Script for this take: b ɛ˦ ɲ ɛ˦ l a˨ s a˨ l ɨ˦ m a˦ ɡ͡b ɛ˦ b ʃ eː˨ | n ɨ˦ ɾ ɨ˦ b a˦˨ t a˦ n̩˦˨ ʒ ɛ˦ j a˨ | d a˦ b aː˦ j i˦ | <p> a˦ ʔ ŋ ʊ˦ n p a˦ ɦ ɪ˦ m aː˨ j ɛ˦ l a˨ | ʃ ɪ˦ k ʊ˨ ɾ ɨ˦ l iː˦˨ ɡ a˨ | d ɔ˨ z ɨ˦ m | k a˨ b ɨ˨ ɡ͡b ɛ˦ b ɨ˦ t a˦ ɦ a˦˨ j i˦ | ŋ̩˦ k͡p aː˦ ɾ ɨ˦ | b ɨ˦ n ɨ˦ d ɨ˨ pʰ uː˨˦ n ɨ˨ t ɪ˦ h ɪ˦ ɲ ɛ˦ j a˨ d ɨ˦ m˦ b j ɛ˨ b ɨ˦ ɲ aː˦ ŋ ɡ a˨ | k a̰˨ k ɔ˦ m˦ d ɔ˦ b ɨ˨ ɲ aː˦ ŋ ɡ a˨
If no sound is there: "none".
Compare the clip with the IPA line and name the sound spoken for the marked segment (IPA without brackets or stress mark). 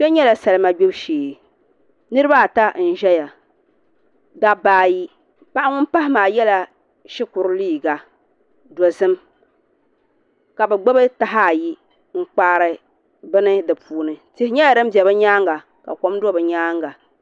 p